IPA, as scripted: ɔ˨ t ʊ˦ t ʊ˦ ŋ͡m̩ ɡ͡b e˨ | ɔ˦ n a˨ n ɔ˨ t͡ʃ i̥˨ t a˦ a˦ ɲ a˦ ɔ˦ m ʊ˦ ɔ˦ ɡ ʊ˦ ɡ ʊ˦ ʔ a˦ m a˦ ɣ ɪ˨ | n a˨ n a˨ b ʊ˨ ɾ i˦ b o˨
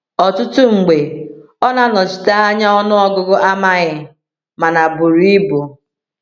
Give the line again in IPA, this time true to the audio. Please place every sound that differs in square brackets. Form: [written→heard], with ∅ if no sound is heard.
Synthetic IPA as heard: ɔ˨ t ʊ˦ t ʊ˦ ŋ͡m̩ ɡ͡b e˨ | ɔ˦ n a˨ n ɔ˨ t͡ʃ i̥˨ t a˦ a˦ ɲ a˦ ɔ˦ [m→n] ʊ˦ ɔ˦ ɡ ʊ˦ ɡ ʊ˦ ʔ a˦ m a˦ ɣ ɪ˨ | [n→m] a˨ n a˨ b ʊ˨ ɾ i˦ b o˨